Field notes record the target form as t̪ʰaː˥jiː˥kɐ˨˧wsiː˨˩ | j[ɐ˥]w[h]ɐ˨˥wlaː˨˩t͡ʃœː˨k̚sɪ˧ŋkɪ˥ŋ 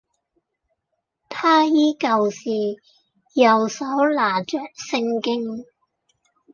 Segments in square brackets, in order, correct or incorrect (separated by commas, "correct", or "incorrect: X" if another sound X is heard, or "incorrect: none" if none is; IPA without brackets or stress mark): incorrect: ɐ˨˩, incorrect: s